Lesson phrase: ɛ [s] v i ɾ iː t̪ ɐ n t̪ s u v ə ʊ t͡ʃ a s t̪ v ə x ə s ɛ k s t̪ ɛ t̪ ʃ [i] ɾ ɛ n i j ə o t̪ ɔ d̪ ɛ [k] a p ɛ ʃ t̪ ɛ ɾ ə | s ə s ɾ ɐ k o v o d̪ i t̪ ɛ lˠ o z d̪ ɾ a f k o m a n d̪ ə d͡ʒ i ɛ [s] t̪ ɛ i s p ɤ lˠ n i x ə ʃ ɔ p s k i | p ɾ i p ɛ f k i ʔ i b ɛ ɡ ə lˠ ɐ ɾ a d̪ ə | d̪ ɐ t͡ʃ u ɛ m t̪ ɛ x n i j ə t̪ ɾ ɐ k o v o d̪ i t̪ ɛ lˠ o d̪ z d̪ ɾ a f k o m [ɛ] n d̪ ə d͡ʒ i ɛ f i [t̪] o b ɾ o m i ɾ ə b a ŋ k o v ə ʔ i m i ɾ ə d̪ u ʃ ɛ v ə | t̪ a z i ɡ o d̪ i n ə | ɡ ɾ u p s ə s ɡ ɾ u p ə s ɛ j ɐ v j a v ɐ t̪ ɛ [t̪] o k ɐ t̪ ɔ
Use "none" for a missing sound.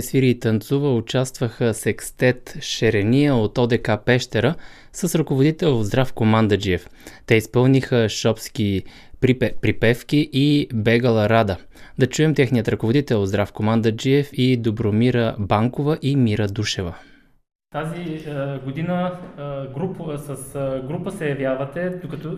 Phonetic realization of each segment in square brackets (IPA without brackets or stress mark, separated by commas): s, ɛ, k, f, a, d̪, d̪